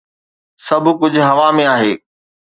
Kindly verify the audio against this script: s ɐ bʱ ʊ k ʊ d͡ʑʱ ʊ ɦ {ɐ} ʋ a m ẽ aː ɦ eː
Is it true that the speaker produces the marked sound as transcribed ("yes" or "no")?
yes